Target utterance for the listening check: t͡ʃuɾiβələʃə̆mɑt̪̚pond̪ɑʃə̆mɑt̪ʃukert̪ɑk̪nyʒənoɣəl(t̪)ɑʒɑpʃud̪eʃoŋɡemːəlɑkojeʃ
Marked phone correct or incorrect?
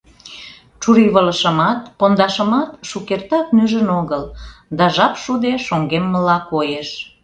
incorrect